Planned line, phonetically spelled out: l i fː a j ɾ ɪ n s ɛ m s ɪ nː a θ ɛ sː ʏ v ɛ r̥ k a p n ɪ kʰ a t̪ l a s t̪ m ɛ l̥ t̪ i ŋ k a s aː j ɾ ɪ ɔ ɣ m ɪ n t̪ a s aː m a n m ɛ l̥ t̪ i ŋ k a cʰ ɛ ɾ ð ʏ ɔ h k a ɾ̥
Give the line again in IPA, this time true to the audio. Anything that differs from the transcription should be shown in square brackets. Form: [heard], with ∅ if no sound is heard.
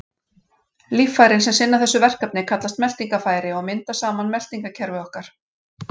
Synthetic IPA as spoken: l i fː a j ɾ ɪ n s ɛ m s ɪ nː a θ ɛ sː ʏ v ɛ r̥ k a p n ɪ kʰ a t̪ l a s t̪ m ɛ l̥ t̪ i ŋ k a [f] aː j ɾ ɪ ɔ ɣ m ɪ n t̪ a s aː m a n m ɛ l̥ t̪ i ŋ k a cʰ ɛ ɾ [v] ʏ ɔ h k a ɾ̥